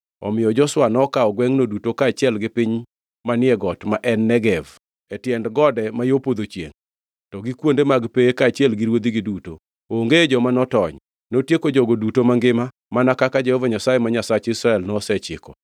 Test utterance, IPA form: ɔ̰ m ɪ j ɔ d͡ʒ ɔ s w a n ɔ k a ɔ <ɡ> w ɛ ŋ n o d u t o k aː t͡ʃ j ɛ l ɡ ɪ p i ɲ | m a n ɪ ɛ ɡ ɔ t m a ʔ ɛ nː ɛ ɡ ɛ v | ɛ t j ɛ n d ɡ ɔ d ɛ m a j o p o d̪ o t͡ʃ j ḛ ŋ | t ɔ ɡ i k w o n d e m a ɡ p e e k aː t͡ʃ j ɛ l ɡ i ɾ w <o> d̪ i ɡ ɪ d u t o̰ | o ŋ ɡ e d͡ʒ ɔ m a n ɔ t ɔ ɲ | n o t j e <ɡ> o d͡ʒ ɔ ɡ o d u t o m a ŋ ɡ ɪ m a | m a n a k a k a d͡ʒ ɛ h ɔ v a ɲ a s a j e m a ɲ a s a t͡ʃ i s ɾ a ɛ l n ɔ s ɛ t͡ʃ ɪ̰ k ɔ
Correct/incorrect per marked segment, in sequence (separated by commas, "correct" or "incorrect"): correct, correct, incorrect